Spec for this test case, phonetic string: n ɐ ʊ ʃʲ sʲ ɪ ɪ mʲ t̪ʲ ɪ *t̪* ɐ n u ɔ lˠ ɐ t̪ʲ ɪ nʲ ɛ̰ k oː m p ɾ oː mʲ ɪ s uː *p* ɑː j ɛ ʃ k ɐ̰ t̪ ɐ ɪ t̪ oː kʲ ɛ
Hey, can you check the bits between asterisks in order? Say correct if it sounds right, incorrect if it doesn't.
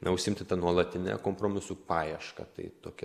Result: correct, correct

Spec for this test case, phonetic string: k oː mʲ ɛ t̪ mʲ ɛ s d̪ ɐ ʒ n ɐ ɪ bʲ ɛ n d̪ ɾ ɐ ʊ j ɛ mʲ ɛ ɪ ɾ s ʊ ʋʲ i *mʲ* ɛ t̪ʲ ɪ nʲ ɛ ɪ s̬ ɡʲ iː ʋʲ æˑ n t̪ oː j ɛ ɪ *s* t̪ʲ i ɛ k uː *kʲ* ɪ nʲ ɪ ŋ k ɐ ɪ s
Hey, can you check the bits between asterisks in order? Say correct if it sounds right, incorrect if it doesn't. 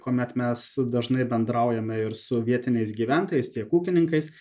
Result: incorrect: none, correct, correct

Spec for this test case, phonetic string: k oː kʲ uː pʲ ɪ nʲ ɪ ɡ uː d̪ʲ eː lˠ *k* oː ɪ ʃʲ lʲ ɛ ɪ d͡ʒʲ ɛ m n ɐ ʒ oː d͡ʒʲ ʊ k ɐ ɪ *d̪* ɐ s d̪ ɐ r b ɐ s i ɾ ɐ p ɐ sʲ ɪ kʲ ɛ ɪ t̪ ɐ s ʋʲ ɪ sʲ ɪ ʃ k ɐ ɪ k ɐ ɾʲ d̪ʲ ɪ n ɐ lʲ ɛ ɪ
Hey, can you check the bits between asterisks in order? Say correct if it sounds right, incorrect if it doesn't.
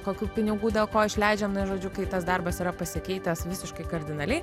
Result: correct, incorrect: t̪

